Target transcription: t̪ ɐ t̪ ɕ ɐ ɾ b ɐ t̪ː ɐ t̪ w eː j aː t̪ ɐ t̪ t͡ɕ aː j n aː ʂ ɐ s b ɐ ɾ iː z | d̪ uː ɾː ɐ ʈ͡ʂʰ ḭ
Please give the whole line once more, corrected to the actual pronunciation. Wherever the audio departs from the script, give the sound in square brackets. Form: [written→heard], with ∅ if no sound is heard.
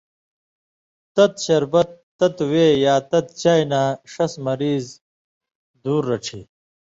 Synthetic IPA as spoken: t̪ ɐ t̪ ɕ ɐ ɾ b ɐ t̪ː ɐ t̪ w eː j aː t̪ ɐ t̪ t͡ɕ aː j n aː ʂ ɐ s [b→m] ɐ ɾ iː z | d̪ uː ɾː ɐ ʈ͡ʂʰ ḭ